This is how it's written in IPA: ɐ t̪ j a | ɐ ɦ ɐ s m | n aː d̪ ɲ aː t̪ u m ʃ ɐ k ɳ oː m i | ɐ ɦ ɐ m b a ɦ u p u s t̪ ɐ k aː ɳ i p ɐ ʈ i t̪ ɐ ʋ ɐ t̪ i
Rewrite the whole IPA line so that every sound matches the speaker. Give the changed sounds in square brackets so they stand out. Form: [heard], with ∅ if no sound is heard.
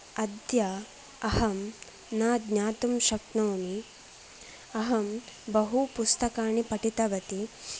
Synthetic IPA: ɐ [d̪] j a | ɐ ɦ ɐ [∅] m | n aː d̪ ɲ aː t̪ u m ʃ ɐ k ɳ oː m i | ɐ ɦ ɐ m b [ɐ] ɦ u p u s t̪ ɐ k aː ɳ i p ɐ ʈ i t̪ ɐ ʋ ɐ t̪ i